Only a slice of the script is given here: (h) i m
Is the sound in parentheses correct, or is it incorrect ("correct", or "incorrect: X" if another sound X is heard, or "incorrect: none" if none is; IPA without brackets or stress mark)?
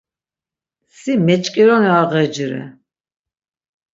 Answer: incorrect: s